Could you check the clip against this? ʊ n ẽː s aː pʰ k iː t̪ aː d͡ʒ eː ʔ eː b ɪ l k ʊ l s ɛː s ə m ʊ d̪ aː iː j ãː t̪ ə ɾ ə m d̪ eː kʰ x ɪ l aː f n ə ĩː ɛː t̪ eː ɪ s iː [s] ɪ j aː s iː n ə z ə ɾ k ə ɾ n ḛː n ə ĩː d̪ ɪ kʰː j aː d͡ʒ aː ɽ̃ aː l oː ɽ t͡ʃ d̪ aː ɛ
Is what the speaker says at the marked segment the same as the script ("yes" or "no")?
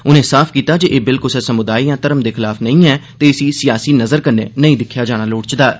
yes